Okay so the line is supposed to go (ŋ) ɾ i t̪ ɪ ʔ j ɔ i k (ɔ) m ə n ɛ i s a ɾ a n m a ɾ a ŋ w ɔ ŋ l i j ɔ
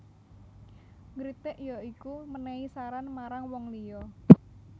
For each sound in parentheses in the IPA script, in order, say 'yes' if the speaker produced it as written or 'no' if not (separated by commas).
yes, no